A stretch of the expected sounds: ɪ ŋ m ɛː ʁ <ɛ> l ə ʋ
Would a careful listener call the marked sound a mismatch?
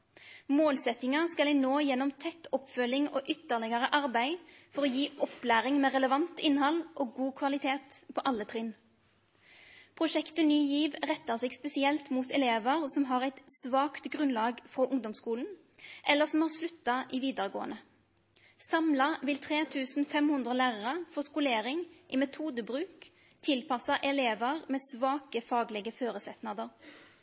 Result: no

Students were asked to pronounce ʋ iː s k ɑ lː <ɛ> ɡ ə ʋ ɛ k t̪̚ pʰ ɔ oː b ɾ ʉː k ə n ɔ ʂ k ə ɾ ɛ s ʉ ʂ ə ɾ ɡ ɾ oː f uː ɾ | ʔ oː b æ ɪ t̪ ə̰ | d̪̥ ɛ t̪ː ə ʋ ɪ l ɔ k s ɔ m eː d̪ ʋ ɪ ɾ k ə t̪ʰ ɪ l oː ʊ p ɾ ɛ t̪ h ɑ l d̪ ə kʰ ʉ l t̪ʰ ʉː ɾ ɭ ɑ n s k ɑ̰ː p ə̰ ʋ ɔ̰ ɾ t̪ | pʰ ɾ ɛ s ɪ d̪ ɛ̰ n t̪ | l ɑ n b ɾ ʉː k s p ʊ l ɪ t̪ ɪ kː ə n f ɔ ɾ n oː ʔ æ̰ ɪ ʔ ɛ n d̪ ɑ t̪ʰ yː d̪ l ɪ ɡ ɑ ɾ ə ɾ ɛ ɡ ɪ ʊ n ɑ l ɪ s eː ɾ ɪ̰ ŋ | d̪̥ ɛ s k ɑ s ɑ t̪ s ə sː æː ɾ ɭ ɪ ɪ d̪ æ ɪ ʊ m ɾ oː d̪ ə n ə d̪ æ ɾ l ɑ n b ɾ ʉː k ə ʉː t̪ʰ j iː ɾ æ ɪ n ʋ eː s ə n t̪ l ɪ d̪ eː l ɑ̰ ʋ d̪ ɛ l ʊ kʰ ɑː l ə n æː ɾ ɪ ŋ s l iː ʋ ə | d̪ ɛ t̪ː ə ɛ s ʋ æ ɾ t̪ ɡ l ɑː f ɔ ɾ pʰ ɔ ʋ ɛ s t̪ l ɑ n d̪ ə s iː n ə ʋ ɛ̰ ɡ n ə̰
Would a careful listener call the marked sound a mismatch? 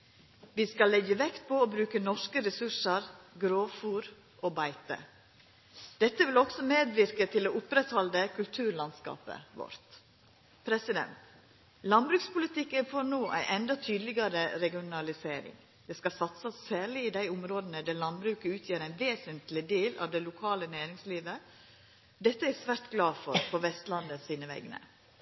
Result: no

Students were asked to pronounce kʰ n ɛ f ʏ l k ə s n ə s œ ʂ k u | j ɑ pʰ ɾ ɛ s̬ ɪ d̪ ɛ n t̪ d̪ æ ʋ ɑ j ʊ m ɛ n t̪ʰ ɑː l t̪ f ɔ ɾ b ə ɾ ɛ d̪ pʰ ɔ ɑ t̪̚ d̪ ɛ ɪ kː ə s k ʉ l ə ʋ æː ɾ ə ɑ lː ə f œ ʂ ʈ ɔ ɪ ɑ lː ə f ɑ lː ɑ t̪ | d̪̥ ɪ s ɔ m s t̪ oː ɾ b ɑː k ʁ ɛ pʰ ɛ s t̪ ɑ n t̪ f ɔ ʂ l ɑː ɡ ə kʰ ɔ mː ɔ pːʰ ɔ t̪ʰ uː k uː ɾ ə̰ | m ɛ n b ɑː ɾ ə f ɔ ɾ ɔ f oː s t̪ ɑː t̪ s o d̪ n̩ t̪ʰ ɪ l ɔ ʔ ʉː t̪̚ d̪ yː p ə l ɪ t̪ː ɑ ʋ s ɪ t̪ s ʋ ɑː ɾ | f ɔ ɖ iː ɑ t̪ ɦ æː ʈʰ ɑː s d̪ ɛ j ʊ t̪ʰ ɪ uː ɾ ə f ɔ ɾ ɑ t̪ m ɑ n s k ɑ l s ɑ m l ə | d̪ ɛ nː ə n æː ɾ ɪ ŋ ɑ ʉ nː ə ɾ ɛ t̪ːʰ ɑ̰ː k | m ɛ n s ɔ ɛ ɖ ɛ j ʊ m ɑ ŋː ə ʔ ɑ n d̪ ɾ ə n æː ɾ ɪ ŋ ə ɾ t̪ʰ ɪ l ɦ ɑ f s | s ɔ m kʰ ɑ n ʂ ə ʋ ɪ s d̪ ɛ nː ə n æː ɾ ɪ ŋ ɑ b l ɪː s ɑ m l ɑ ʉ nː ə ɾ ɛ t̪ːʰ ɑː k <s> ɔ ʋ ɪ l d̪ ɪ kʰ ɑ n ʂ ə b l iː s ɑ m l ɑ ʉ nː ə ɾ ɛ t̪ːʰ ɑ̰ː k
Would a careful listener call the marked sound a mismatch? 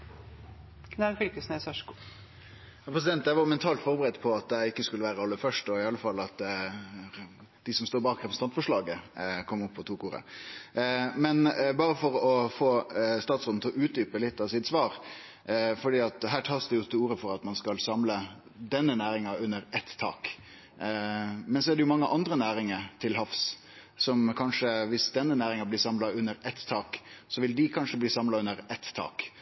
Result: no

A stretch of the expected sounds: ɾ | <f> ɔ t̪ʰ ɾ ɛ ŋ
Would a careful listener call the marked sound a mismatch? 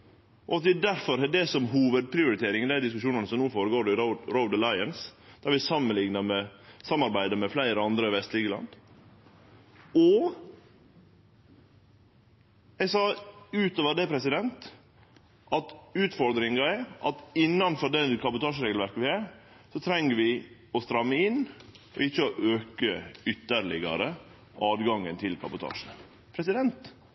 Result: yes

